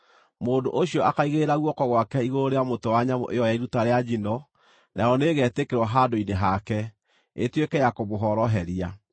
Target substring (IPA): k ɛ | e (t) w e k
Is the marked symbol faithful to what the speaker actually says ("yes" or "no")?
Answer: yes